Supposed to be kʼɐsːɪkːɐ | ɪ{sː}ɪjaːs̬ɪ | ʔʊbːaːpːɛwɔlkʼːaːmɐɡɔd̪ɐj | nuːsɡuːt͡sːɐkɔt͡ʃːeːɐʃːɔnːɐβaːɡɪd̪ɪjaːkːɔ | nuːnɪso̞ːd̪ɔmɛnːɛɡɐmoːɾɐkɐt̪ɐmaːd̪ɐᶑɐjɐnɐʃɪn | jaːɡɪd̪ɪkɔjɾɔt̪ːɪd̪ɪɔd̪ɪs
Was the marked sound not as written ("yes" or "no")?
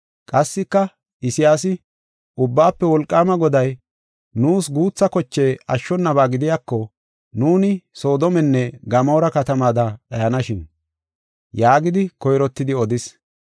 yes